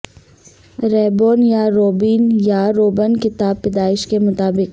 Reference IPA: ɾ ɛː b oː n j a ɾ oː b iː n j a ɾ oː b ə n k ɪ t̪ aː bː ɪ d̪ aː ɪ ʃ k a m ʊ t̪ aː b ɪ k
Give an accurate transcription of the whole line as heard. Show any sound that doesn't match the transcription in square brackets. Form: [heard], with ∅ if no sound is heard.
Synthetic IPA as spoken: ɾ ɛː b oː n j a ɾ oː b iː n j a ɾ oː b ə n k ɪ t̪ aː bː ɪ d̪ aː ɪ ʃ k [e] m ʊ t̪ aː b ɪ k